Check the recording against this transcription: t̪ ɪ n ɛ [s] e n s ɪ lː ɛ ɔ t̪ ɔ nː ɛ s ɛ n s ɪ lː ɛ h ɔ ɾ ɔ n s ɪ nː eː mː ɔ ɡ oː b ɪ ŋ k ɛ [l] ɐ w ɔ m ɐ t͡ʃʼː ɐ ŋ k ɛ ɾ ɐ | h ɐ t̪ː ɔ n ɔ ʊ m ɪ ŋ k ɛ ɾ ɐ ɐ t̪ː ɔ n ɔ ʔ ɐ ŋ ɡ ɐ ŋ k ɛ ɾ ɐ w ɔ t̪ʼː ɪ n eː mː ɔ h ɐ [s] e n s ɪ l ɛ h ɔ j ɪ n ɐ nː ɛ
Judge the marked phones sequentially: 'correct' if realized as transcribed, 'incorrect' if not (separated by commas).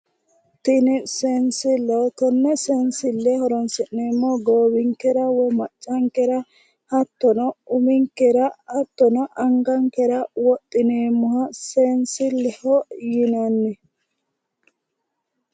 correct, incorrect, correct